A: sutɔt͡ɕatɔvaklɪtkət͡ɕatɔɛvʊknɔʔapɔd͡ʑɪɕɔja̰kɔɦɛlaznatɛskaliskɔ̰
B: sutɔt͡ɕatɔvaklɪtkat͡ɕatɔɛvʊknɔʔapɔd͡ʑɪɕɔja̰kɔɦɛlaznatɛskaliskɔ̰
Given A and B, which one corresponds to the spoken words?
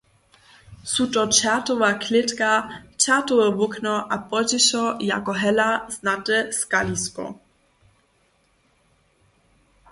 B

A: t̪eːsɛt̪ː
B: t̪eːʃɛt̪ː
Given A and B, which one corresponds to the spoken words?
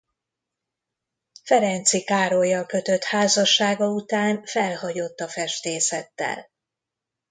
A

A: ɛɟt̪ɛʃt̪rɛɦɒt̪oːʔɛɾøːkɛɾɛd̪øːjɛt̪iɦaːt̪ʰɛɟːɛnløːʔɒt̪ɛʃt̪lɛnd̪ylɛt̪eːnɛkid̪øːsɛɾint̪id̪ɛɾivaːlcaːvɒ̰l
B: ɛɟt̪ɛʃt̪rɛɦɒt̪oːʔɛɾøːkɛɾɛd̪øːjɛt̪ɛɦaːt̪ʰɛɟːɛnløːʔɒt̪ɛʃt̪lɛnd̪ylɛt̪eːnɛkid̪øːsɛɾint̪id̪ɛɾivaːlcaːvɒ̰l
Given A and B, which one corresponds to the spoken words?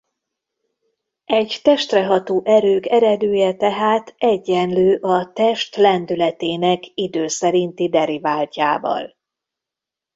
B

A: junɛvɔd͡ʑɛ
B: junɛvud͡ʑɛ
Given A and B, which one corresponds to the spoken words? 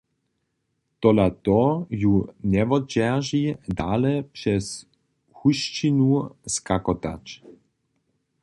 A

